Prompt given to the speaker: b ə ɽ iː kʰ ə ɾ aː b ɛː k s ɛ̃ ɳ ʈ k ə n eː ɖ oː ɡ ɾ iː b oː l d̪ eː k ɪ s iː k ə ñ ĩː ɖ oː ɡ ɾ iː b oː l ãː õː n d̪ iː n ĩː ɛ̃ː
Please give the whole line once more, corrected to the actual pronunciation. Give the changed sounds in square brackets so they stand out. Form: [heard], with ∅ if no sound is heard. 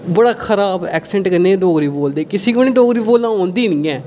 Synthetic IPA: b ə ɽ [aː] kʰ ə ɾ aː b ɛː k s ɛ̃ ɳ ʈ k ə n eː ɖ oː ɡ ɾ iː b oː l d̪ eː k ɪ s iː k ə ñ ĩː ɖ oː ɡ ɾ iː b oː l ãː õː n d̪ iː n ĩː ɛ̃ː